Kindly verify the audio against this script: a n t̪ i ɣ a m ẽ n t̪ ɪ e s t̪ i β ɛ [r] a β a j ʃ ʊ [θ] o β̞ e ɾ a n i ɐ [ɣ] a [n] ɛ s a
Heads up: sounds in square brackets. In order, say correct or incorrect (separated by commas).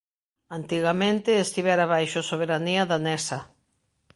incorrect, incorrect, incorrect, correct